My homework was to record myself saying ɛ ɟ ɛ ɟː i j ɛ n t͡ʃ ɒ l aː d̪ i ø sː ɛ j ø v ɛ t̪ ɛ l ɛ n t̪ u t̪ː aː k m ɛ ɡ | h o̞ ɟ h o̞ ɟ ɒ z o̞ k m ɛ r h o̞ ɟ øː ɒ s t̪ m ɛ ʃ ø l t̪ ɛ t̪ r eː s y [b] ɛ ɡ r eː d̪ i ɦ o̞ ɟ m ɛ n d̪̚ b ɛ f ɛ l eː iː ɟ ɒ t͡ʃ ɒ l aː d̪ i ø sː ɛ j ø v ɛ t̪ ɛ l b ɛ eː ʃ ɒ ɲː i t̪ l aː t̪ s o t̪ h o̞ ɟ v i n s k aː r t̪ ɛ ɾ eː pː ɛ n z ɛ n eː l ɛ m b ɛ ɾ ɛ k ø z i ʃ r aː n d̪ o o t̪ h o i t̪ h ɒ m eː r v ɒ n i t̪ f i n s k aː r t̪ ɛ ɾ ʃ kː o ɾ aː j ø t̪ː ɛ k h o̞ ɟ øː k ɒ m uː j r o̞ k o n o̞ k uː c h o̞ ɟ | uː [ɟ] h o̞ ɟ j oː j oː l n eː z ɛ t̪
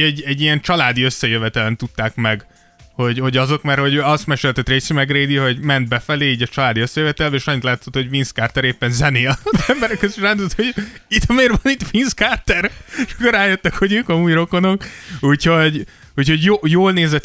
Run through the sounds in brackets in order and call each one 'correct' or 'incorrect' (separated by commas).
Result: incorrect, incorrect